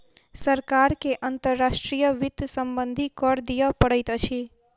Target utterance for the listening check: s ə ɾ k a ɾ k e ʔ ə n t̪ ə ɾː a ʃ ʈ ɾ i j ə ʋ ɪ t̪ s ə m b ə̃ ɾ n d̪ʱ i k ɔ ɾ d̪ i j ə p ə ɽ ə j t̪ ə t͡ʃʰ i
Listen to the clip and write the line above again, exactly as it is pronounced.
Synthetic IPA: s ə ɾ k a ɾ k e ʔ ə n t̪ ə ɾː a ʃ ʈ ɾ i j ə ʋ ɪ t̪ s ə m b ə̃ n d̪ʱ i k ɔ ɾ d̪ i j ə p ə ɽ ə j t̪ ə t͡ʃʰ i